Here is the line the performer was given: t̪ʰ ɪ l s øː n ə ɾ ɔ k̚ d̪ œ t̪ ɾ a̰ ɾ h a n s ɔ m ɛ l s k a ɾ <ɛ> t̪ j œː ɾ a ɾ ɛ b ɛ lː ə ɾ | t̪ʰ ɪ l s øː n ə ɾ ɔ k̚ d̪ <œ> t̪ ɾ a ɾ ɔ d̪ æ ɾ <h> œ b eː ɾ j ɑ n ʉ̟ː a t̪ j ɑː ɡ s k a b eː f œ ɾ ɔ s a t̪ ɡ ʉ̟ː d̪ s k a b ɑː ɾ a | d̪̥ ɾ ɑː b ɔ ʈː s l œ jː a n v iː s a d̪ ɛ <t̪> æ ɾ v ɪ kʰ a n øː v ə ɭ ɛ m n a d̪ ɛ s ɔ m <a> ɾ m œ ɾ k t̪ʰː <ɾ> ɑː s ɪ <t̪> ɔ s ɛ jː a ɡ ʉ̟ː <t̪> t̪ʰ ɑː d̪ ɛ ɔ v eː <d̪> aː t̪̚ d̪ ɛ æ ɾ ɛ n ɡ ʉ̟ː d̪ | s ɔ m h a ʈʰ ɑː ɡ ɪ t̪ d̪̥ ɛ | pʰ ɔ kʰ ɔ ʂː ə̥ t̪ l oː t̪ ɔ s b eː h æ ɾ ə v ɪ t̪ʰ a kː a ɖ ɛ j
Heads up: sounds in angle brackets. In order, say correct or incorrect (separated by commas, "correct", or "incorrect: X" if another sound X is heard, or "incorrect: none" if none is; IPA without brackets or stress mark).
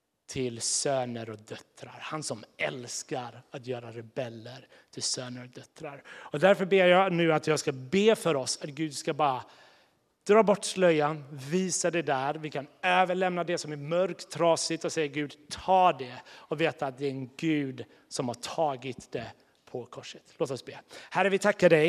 incorrect: a, correct, incorrect: f, incorrect: d̪, incorrect: æ, correct, correct, incorrect: d̪, incorrect: t̪